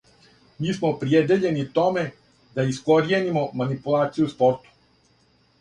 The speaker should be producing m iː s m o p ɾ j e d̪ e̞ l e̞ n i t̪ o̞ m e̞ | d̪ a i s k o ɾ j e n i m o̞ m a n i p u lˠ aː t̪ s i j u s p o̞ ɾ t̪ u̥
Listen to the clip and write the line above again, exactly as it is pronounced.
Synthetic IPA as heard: m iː s m o p ɾ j e d̪ e̞ ʎ e̞ n i t̪ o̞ m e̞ | d̪ a i s k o ɾ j e n i m o̞ m a n i p u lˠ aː t̪ s i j u s p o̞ ɾ t̪ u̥